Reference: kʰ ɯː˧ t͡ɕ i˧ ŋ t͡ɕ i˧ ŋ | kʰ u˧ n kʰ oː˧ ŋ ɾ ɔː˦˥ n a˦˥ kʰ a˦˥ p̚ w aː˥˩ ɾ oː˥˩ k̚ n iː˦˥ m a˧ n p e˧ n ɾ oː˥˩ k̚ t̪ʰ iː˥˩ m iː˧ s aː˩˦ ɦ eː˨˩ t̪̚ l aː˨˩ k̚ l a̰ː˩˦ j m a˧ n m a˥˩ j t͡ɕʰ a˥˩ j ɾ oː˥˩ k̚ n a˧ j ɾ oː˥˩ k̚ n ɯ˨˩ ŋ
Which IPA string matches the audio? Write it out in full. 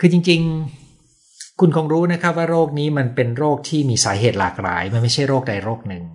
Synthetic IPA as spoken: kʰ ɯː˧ t͡ɕ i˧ ŋ t͡ɕ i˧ ŋ | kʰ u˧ n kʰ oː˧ ŋ ɾ uː˦˥ n a˦˥ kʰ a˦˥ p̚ w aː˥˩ ɾ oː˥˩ k̚ n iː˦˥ m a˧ n p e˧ n ɾ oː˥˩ k̚ t̪ʰ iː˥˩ m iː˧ s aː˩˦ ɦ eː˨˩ t̪̚ l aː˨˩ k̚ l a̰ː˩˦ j m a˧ n m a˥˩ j t͡ɕʰ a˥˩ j ɾ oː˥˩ k̚ d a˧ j ɾ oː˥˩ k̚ n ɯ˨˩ ŋ